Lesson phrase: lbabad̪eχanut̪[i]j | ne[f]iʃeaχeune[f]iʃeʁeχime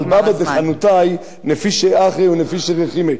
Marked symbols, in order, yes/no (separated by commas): no, yes, yes